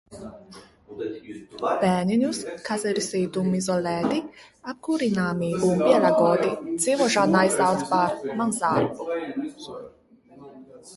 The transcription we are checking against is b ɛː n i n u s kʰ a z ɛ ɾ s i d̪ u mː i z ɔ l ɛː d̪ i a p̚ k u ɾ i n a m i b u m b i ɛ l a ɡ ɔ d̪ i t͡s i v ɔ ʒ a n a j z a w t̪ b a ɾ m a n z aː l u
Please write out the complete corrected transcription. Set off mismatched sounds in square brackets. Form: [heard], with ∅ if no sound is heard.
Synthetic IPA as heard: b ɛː n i n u s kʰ a z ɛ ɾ s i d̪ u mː i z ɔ l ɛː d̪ i a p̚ k u ɾ i n a m i b u m b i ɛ l a ɡ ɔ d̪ i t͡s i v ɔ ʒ a n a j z a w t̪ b a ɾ m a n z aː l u

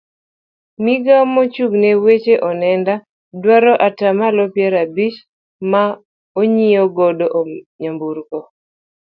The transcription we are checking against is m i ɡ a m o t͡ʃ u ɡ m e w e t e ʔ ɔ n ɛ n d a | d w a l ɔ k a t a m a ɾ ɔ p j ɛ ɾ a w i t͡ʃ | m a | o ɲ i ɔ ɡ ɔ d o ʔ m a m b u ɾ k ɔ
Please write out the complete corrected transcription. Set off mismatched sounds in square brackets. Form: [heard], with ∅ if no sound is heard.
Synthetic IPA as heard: m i ɡ a m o t͡ʃ u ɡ [n] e w e [t͡ʃ] e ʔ ɔ n ɛ n d a | d w a [ɾ] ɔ [ʔ] a t a m a [l] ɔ p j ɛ ɾ a [b] i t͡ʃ | m a | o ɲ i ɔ ɡ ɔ d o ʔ [ɲ] a m b u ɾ k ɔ

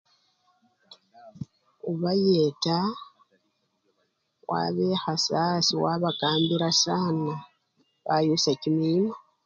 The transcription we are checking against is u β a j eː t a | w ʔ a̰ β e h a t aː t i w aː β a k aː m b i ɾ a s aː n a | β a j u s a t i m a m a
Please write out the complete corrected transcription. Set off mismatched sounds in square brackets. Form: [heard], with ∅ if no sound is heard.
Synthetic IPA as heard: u β a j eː t a | w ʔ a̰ β e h a [s] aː [s] i w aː β a k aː m b i ɾ a s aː n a | β a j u s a [c] i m [i] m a

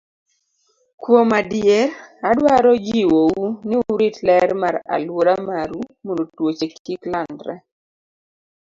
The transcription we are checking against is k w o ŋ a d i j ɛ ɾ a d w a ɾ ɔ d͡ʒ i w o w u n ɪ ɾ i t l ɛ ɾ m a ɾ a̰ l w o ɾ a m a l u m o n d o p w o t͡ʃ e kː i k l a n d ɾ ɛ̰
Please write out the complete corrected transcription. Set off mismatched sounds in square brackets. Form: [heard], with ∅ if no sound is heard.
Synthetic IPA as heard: k w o [m] a d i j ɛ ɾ a d w a ɾ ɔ d͡ʒ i w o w u n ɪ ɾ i t l ɛ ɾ m a ɾ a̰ l w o ɾ a m a [ɾ] u m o n d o [t] w o t͡ʃ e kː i k l a n d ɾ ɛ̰

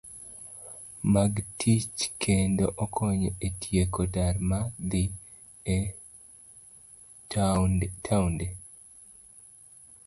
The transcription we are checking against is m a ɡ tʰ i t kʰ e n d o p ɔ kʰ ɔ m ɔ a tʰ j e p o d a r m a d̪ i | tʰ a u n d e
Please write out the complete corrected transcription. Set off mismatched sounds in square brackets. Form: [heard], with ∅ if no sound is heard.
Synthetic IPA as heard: m a ɡ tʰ i [t͡ʃ] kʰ e n d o [ʔ] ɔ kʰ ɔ [ɲ] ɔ [e] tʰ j e [k] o d a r m a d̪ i | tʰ a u n d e

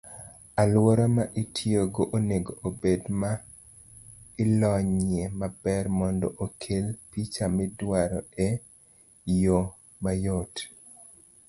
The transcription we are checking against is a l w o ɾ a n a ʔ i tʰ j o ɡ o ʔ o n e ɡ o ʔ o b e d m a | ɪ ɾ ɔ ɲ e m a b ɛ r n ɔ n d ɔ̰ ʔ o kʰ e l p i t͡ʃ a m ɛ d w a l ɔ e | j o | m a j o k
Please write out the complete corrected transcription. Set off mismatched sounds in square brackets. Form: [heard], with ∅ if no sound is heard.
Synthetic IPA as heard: a l w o ɾ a [m] a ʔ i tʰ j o ɡ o ʔ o n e ɡ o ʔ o b e d m a | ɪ [l] ɔ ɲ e m a b ɛ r [m] ɔ n d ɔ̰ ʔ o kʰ e l p i t͡ʃ a m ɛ d w a [ɾ] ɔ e | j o | m a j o [t]

